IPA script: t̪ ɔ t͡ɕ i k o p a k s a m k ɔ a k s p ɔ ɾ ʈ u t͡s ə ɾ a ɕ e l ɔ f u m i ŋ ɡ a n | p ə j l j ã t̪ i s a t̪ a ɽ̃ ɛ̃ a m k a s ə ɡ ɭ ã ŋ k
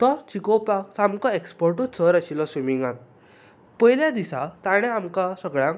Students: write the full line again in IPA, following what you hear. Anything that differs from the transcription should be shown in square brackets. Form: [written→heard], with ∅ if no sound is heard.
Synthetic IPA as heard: t̪ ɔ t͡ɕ i k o p a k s a m k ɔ [a→e] k s p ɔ ɾ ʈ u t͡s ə ɾ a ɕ [e→i] l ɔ [f→s] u m i ŋ ɡ a n | p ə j l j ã [t̪→d̪] i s a t̪ a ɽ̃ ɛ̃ a m k a s ə ɡ ɭ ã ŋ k

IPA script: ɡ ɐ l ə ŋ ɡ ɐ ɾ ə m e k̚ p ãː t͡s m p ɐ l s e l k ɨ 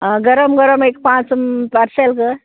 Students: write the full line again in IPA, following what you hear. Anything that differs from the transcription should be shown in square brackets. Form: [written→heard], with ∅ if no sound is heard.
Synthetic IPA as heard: ɡ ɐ [l→ɾ] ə [ŋ→m] ɡ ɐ ɾ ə m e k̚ p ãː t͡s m p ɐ [l→ɾ] s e l k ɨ

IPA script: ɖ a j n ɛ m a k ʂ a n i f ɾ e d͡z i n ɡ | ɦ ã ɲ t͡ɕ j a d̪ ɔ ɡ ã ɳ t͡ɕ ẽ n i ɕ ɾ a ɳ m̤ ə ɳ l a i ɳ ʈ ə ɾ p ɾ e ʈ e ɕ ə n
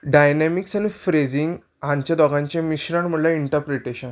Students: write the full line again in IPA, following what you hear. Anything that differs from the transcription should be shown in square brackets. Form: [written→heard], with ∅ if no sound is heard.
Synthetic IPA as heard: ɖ a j n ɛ m [a→i] k [ʂ→s] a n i f ɾ e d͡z i [n→ŋ] ɡ | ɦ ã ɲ t͡ɕ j a d̪ ɔ ɡ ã [ɳ→ɲ] t͡ɕ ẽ [n→m] i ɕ ɾ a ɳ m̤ ə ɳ l a i ɳ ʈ ə ɾ p ɾ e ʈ e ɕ ə n

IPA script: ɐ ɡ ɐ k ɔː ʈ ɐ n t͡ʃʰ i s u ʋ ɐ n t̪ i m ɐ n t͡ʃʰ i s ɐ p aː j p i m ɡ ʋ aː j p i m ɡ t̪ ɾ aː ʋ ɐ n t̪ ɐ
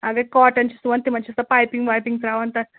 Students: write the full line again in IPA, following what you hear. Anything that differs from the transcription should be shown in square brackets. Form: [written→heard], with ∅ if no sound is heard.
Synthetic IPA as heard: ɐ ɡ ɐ k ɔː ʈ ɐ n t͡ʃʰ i s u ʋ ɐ n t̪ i m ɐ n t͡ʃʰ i s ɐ p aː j p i [m→ŋ] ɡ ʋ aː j p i [m→ŋ] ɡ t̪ ɾ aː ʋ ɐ n t̪ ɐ

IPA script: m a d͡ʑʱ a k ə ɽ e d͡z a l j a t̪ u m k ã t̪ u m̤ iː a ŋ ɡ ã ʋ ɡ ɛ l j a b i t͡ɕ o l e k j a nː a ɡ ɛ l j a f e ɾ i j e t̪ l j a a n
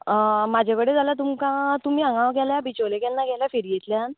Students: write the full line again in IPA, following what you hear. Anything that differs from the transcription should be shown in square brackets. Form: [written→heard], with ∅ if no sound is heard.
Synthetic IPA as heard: m a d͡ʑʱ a k ə ɽ e d͡z a l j a t̪ u m k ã t̪ u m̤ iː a ŋ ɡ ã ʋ ɡ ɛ l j a b i t͡ɕ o l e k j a nː a ɡ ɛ l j a f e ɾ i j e t̪ l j a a n

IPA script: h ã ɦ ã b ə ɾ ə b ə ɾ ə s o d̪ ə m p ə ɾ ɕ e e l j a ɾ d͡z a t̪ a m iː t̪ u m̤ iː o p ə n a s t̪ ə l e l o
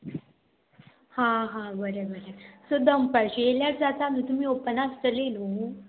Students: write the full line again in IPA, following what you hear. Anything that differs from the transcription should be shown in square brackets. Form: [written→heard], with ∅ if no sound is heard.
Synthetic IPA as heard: h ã ɦ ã b ə ɾ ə b ə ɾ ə s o d̪ ə m p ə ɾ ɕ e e l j a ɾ d͡z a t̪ a m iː t̪ u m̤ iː o p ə n a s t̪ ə l e l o

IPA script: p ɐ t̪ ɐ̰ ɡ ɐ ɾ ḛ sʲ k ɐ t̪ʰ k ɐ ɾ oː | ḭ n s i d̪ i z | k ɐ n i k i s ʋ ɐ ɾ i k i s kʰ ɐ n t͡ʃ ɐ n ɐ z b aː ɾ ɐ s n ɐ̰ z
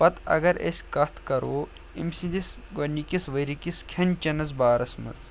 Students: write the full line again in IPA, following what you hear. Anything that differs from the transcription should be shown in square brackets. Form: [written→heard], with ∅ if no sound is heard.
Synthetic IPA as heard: p ɐ t̪ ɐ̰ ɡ ɐ ɾ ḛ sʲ k ɐ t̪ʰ k ɐ ɾ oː | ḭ [n→m] s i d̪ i [z→s] | [k→ɡ] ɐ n i k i s ʋ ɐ ɾ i k i s kʰ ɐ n t͡ʃ ɐ n ɐ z b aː ɾ ɐ s [n→m] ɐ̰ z

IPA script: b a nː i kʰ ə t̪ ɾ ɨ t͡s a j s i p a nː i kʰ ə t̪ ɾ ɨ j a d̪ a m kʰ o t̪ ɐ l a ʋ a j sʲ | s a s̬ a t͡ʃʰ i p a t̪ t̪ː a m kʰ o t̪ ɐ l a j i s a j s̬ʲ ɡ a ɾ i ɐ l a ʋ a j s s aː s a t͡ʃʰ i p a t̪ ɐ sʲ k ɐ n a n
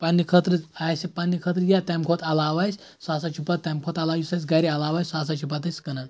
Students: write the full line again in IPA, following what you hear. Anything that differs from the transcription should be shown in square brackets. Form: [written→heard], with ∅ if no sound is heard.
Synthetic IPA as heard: [b→p] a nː i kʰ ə t̪ ɾ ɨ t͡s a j s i p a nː i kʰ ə t̪ ɾ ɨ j a [d̪→t̪] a m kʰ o t̪ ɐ l a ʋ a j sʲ | s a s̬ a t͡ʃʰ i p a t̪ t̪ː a m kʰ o t̪ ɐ l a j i s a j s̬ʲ ɡ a ɾ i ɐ l a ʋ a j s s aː s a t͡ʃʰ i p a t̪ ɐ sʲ k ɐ n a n

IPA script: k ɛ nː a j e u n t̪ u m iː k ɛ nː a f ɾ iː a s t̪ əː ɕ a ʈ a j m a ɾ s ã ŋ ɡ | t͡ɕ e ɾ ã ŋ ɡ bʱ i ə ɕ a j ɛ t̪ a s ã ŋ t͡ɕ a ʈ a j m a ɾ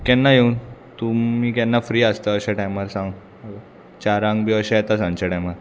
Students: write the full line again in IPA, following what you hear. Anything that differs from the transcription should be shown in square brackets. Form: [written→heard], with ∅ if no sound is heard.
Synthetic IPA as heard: k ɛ nː a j e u n t̪ u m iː k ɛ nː a f ɾ iː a s t̪ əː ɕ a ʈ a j m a ɾ s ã ŋ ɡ | t͡ɕ [e→a] ɾ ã ŋ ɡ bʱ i ə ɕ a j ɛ t̪ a s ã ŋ t͡ɕ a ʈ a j m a ɾ

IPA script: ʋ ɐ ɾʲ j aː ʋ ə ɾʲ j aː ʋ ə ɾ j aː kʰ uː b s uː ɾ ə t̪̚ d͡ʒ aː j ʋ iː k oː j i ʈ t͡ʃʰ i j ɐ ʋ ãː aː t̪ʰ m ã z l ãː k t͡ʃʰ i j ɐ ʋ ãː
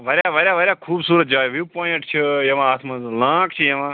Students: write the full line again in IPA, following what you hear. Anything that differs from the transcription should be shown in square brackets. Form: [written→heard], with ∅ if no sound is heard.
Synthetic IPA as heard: ʋ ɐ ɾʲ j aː ʋ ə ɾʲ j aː ʋ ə ɾ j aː kʰ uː b s uː ɾ ə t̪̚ d͡ʒ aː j ʋ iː [k→p] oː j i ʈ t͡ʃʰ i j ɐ ʋ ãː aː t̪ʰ m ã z l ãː k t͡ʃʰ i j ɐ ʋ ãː

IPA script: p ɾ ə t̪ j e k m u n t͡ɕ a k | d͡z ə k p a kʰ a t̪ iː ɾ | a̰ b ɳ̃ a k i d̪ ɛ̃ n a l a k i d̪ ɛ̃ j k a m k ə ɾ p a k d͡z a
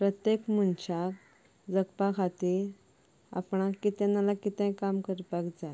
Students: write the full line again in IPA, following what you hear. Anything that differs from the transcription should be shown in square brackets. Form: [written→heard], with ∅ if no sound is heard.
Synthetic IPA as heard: p ɾ ə t̪ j e k m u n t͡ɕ a k | d͡z ə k p a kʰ a t̪ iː ɾ | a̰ [b→p] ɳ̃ a k i [d̪→t̪] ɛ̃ n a l a k i [d̪→t̪] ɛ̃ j k a m k ə ɾ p a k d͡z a

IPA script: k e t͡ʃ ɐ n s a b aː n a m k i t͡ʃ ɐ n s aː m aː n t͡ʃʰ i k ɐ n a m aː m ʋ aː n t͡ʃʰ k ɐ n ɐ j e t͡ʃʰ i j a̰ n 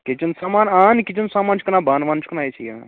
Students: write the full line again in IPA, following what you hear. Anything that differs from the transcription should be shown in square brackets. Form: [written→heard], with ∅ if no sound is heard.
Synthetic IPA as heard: k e t͡ʃ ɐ n s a [b→m] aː n a [m→n] k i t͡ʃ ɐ n s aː m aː n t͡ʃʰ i k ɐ n a [m→b] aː [m→n] ʋ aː n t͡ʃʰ k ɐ n [ɐ→a] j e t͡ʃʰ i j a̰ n

